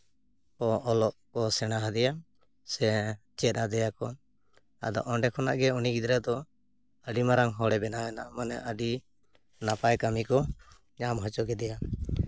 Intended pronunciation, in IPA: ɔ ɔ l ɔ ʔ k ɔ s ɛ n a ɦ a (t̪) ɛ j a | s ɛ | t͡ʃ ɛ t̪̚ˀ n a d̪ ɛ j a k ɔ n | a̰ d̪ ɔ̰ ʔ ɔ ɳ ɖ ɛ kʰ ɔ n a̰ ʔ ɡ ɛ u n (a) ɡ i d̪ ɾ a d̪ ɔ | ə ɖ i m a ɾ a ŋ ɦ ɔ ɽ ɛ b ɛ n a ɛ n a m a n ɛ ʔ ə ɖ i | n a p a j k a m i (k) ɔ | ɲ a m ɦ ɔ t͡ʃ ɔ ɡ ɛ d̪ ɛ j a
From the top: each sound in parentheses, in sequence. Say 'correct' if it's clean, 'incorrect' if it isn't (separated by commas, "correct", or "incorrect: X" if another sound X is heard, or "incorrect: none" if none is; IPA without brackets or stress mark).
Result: incorrect: d̪, incorrect: i, correct